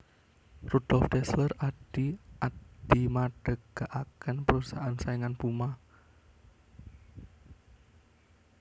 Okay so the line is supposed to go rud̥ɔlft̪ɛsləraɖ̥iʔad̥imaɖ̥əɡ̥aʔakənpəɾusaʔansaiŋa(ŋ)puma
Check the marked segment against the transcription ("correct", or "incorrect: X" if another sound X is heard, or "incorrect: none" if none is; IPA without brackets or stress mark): incorrect: n